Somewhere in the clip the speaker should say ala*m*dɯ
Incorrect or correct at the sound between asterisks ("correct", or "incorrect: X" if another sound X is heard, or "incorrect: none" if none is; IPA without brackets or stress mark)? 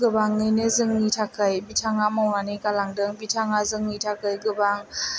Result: incorrect: ŋ